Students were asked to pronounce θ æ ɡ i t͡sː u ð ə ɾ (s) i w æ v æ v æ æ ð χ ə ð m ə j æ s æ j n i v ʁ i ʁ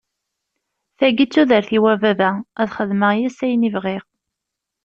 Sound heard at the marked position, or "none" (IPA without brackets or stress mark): θ